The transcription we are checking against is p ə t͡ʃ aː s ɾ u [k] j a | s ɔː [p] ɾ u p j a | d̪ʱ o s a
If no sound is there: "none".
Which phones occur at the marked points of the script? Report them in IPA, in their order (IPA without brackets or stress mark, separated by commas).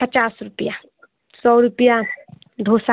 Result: p, none